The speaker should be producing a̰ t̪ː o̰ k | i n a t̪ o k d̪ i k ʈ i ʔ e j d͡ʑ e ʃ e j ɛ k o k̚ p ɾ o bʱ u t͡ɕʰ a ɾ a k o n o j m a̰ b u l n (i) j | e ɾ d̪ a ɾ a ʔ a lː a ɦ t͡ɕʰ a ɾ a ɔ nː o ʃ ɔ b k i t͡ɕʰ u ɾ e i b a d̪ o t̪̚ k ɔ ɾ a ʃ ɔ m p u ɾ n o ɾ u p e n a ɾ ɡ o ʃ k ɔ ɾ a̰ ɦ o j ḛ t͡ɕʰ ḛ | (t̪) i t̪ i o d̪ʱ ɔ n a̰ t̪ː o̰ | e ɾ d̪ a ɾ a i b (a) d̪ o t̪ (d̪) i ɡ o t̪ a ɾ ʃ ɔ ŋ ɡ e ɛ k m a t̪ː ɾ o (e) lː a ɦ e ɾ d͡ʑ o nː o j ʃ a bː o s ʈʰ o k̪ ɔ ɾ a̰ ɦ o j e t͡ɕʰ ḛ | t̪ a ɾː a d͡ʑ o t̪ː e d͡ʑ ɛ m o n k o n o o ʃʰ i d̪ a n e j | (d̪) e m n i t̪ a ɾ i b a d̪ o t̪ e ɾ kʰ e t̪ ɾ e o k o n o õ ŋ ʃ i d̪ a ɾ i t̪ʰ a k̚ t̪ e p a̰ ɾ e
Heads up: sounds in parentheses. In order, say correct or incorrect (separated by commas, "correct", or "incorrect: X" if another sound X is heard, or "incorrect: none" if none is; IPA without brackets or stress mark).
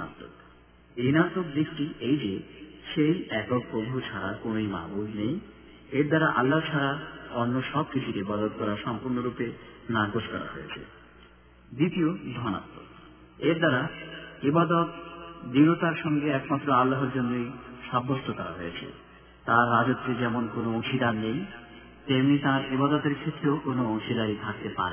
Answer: incorrect: e, incorrect: d̪, correct, correct, incorrect: a, incorrect: t̪